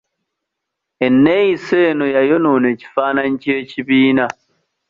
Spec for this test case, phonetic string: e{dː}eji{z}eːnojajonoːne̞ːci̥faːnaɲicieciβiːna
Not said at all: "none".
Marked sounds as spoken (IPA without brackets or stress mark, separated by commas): nː, s